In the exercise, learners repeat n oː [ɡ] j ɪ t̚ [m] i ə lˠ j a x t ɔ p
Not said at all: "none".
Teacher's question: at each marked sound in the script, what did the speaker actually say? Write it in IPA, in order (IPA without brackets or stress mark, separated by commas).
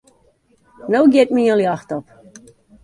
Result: ɡ, m